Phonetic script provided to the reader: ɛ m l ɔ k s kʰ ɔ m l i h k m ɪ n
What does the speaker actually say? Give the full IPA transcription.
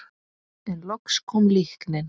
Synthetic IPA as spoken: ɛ n l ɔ k s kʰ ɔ m l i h k n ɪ n